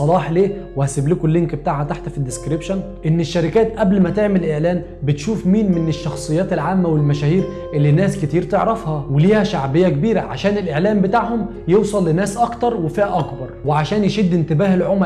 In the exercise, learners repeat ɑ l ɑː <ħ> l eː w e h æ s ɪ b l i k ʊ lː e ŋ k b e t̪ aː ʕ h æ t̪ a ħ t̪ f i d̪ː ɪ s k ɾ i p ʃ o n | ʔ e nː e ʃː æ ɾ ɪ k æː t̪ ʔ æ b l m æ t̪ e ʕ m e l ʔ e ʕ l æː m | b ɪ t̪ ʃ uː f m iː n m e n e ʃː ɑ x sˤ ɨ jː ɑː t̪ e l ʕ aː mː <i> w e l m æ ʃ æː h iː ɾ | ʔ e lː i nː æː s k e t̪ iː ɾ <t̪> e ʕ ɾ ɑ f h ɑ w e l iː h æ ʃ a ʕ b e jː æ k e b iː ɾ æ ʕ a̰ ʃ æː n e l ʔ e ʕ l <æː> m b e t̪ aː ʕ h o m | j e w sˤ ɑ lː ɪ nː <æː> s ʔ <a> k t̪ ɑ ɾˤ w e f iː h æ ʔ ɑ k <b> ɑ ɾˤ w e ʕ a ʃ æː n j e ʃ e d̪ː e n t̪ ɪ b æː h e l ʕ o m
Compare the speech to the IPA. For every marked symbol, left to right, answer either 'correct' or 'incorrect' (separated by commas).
correct, incorrect, correct, correct, correct, incorrect, correct